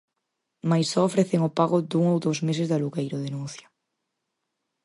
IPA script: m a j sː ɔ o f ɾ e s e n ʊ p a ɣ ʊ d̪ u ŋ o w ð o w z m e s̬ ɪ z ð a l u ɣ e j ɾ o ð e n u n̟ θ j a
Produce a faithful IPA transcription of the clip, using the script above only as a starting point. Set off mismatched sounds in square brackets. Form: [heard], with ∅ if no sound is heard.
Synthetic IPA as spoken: m a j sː ɔ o f ɾ e [θ] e [ŋ] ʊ p a ɣ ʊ d̪ u ŋ o w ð o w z m e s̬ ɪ z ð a l u ɣ e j ɾ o ð e n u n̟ θ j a